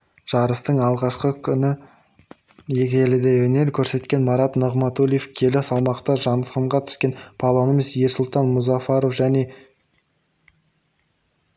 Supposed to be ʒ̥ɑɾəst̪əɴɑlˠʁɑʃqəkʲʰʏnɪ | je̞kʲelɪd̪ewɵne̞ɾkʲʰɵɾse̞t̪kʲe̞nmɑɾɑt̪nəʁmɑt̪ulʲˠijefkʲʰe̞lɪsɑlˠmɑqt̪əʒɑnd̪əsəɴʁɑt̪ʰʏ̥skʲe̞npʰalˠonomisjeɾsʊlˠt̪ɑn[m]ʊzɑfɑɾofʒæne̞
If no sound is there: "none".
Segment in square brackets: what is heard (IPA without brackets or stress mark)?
m